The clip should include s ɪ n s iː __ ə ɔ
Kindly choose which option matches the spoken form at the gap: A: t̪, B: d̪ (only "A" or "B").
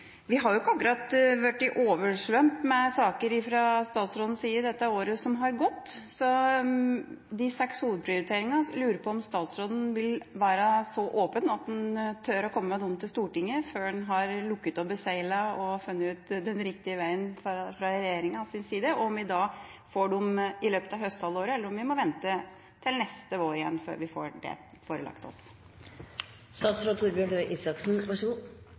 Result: B